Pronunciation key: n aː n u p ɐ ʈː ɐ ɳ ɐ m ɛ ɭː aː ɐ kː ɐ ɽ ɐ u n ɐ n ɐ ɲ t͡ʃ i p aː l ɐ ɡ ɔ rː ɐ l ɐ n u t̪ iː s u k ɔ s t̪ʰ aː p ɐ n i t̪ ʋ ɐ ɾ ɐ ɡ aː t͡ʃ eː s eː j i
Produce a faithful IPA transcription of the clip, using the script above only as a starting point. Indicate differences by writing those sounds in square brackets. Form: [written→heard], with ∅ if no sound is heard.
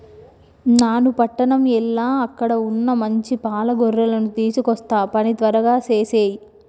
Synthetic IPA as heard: n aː n u p ɐ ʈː ɐ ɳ ɐ m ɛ [ɭː→lː] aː ɐ kː ɐ ɽ ɐ u [n→nː] ɐ [n→m] ɐ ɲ t͡ʃ i p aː l ɐ ɡ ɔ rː ɐ l ɐ n u t̪ iː s u k ɔ s [t̪ʰ→t̪] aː p ɐ n i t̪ ʋ ɐ ɾ ɐ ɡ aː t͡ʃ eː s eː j i